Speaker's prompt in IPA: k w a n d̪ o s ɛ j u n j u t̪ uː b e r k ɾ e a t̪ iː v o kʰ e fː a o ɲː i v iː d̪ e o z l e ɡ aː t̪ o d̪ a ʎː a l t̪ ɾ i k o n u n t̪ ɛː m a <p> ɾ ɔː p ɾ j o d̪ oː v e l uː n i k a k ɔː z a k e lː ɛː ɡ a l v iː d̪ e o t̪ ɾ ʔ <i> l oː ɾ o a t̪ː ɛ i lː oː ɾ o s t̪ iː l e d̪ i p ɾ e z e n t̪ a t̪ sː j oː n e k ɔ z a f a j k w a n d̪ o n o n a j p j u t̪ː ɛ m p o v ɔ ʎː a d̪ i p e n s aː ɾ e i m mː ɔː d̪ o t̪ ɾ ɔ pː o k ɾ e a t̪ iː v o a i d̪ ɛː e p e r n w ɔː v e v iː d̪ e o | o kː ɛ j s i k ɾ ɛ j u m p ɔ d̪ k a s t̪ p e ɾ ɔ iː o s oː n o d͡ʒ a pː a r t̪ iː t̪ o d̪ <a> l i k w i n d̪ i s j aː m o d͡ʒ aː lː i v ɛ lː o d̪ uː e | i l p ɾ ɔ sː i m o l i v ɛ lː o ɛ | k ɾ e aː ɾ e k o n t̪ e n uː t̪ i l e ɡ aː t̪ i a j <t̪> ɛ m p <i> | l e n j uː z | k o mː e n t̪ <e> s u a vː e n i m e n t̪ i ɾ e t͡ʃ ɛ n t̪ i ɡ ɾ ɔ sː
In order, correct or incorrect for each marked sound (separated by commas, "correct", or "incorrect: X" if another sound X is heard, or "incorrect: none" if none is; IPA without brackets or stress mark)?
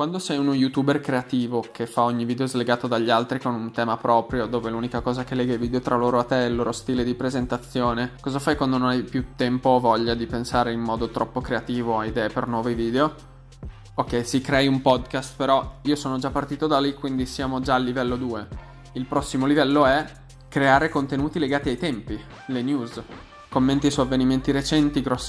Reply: correct, incorrect: a, correct, correct, correct, incorrect: i